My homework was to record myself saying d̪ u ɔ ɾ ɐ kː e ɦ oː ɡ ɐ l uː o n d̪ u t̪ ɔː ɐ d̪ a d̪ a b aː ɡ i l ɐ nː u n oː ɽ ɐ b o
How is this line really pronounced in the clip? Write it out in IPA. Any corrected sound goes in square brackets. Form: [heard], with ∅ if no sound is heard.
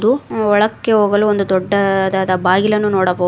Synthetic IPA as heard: d̪ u ɔ [ɭ] ɐ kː e ɦ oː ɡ ɐ l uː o n d̪ u [d̪] ɔː ɐ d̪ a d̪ [ɐ] b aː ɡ i l ɐ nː u n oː ɽ ɐ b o